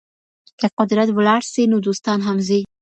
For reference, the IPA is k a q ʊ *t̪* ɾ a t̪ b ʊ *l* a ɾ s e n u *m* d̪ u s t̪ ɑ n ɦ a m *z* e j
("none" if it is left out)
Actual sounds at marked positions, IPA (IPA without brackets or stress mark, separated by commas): d̪, l, none, z